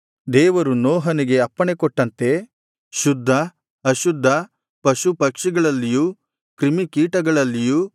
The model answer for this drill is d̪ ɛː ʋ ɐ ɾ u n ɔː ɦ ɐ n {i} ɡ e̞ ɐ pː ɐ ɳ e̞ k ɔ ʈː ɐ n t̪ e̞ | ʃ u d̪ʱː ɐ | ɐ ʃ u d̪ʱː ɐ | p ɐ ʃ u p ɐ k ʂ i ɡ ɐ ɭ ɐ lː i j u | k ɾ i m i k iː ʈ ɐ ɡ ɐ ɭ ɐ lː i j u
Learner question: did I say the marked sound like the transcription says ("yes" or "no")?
yes